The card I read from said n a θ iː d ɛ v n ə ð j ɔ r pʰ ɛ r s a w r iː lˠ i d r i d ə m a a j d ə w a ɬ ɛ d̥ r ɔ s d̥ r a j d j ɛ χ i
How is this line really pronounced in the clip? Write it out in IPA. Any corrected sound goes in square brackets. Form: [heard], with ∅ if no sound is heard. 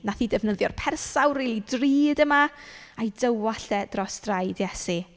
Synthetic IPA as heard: n a θ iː d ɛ v n ə ð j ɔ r pʰ ɛ r s a w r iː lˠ i d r [iː] d ə m a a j d ə w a ɬ ɛ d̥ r ɔ s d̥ r a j d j ɛ [s] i